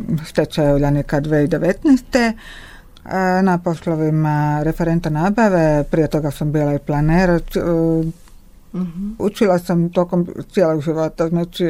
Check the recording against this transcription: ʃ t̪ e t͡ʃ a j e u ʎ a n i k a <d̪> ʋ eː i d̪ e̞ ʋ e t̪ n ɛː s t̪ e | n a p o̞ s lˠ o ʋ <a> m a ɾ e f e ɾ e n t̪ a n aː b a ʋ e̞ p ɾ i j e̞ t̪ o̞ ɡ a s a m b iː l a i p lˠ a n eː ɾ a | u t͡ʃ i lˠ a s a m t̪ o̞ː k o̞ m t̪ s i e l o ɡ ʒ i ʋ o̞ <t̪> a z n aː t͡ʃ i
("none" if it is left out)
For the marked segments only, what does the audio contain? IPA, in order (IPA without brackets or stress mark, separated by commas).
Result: d̪, i, t̪